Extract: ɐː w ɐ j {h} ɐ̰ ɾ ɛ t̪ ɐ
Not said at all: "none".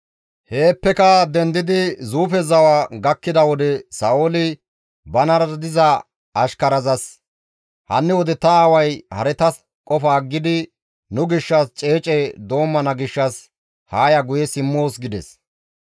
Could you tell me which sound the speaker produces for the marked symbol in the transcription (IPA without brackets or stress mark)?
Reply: h